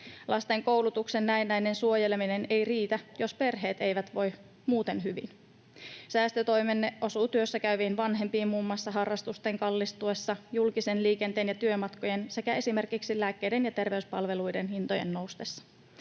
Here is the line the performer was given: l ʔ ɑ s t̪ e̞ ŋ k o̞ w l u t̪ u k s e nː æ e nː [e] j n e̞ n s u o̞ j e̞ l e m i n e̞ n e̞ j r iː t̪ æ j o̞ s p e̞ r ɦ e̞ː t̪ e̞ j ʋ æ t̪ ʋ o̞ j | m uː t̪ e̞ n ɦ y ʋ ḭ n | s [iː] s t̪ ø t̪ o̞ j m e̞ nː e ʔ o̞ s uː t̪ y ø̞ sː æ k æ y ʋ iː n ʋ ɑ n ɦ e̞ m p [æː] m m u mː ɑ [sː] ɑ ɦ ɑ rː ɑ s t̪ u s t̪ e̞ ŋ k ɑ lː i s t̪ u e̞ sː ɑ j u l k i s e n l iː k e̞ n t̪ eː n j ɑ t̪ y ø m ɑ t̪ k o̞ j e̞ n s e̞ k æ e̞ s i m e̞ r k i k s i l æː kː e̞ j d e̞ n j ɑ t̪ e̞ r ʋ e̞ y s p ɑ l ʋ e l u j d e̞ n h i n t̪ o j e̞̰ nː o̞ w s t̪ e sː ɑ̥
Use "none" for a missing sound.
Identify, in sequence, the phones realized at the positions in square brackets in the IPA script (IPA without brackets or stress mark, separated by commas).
æ, æː, iː, sː